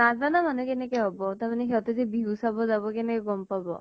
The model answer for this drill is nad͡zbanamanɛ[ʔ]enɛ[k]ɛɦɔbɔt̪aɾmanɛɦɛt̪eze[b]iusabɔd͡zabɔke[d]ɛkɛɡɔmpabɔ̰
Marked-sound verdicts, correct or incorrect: incorrect: k, correct, correct, incorrect: n

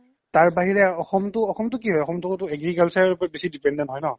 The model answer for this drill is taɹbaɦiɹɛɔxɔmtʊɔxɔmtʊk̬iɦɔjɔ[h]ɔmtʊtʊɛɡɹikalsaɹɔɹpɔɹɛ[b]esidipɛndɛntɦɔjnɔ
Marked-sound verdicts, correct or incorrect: incorrect: x, correct

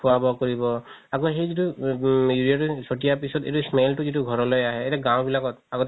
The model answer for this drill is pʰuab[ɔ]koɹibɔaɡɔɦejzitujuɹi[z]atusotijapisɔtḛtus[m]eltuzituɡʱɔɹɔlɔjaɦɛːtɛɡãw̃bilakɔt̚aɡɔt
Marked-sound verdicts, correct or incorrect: correct, incorrect: none, correct

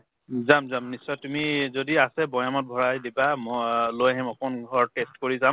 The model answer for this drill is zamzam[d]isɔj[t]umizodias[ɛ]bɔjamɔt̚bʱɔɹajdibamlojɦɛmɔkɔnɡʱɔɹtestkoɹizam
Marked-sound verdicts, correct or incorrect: incorrect: n, correct, correct

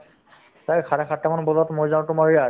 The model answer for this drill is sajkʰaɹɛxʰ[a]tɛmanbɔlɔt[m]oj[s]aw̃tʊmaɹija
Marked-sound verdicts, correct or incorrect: correct, correct, incorrect: z

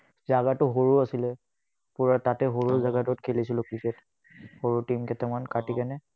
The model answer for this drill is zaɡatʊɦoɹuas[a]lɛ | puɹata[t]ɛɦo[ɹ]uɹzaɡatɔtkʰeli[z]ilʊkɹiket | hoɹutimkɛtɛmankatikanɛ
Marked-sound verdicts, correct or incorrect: incorrect: i, correct, correct, incorrect: s

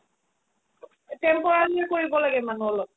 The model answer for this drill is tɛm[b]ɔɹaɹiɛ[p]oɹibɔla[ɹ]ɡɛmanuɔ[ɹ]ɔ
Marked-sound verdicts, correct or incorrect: incorrect: p, incorrect: k, incorrect: none, incorrect: l

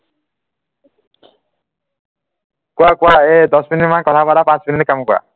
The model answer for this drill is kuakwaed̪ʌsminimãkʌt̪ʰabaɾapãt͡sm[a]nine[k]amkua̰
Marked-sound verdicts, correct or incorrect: incorrect: i, correct

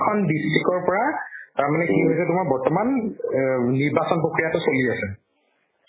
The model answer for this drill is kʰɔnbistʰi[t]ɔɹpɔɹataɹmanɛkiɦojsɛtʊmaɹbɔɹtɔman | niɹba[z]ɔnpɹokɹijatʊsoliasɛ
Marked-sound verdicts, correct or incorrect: incorrect: k, incorrect: s

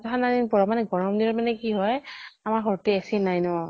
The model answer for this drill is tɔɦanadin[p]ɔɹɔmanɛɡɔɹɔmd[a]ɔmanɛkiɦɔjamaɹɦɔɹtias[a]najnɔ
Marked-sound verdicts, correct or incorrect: correct, incorrect: i, incorrect: i

